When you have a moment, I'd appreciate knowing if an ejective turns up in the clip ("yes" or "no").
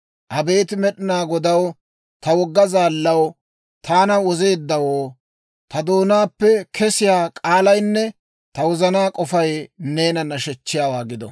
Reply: yes